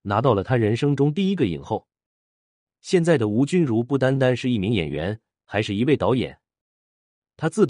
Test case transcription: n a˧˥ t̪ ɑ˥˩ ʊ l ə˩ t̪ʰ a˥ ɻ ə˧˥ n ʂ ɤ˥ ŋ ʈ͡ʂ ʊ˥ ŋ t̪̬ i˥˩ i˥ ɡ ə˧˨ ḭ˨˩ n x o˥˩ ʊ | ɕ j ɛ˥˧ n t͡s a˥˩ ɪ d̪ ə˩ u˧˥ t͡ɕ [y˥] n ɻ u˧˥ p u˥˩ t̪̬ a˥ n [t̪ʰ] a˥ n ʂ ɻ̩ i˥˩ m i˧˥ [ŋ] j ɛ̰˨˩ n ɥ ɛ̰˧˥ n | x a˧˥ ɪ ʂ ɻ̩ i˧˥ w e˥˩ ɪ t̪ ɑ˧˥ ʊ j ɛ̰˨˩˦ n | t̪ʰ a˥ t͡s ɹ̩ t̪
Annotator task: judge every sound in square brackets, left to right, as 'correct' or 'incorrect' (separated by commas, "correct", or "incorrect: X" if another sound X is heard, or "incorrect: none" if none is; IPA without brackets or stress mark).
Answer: correct, incorrect: t̪, correct